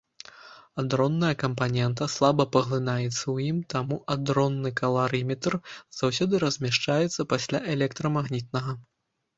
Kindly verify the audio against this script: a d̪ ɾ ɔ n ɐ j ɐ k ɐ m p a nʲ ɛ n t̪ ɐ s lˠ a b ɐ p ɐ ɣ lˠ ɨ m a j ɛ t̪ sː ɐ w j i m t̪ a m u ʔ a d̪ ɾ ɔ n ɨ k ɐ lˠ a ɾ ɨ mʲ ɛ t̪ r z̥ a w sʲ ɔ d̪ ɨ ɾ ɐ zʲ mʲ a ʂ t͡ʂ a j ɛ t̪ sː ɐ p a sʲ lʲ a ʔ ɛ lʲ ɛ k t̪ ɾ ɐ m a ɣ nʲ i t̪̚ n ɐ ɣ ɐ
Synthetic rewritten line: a d̪ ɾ ɔ nː ɐ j ɐ k ɐ m p a nʲ ɛ n t̪ ɐ s lˠ a b ɐ p ɐ ɣ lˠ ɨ n a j ɛ t̪ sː ɐ w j i m t̪ a m u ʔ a d̪ ɾ ɔ nː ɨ k ɐ lˠ a ɾ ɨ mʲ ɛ t̪ r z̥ a w sʲ ɔ d̪ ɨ ɾ ɐ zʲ mʲ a ʂ t͡ʂ a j ɛ t̪ sː ɐ p a sʲ lʲ a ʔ ɛ lʲ ɛ k t̪ ɾ ɐ m a ɣ nʲ i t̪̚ n ɐ ɣ ɐ